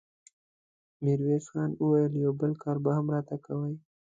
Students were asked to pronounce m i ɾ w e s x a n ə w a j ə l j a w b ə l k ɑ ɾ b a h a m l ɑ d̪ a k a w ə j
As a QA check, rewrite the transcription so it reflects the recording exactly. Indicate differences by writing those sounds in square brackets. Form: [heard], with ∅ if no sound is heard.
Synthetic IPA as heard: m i ɾ w e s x [ɑ] n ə w a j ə l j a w b ə l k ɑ ɾ b a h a m [ɾ] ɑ [t̪] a k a w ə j